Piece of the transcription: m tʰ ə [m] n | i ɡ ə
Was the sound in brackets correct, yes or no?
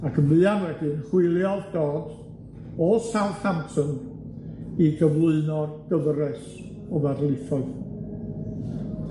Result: no